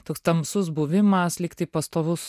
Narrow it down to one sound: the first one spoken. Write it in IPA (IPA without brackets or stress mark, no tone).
t̪